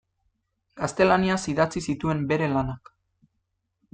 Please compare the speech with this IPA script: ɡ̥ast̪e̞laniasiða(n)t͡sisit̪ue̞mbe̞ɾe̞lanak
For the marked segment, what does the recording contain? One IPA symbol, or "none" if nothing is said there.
none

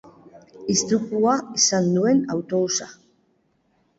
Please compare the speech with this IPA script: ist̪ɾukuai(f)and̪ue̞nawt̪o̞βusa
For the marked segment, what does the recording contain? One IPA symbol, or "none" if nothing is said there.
s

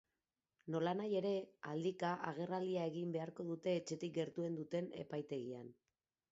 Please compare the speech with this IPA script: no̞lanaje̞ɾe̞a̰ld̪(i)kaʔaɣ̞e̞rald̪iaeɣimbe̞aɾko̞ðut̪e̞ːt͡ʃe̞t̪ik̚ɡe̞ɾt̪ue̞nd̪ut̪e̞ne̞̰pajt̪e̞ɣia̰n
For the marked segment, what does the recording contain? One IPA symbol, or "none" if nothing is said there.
i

